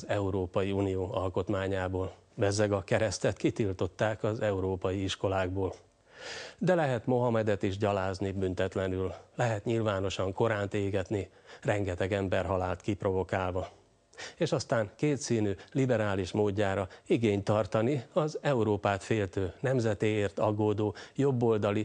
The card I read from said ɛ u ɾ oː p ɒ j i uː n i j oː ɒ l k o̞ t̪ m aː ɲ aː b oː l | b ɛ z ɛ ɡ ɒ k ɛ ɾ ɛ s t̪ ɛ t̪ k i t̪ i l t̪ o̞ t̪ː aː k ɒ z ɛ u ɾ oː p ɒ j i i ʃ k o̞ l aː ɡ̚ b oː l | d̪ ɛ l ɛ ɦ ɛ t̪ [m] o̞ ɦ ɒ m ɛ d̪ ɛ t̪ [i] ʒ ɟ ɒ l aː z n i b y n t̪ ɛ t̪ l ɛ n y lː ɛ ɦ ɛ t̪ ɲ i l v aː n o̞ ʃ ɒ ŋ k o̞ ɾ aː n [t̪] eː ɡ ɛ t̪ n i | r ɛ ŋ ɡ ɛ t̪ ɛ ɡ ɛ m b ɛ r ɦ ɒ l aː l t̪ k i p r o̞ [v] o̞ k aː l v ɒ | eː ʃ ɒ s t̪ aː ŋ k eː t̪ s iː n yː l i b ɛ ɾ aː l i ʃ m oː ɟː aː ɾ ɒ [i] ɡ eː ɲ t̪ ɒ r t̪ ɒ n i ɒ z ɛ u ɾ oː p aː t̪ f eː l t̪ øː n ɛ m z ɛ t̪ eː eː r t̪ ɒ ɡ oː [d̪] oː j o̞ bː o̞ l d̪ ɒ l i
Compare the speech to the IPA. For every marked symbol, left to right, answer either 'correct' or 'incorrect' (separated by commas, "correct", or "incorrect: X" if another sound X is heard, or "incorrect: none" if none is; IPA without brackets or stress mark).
correct, correct, correct, correct, correct, correct